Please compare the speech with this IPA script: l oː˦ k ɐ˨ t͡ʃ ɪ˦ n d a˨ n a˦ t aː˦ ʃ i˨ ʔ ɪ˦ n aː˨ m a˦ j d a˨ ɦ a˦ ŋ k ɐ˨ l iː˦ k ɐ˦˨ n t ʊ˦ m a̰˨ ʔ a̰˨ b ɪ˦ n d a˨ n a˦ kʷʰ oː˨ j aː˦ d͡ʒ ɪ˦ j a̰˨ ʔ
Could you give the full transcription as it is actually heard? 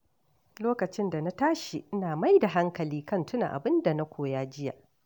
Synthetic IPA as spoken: l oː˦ k ɐ˨ t͡ʃ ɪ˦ n d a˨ n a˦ t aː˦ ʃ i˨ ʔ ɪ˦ n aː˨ m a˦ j d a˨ ɦ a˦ ŋ k ɐ˨ l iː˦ k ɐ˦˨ n t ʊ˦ n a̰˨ ʔ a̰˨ b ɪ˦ n d a˨ n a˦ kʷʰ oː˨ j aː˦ d͡ʒ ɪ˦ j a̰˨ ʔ